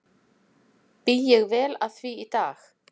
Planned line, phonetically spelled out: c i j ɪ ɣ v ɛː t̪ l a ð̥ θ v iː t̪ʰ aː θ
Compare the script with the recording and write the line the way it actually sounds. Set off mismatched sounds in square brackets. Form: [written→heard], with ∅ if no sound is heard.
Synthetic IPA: [c→p] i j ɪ ɣ v ɛː [t̪→∅] l a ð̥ θ v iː [t̪ʰ→t̪] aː [θ→x]